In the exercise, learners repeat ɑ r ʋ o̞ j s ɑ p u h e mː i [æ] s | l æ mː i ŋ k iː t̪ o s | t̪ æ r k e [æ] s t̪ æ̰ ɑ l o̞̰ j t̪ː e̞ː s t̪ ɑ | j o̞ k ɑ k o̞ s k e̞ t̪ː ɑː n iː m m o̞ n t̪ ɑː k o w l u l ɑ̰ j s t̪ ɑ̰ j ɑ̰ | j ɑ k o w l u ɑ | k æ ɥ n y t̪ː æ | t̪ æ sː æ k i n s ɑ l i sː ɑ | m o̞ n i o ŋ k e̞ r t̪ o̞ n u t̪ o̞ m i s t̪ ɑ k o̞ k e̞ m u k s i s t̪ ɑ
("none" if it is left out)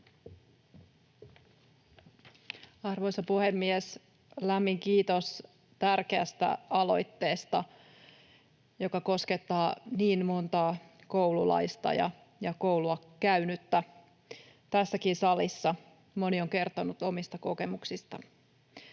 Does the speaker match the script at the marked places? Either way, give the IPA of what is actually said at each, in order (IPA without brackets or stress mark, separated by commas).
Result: e, æ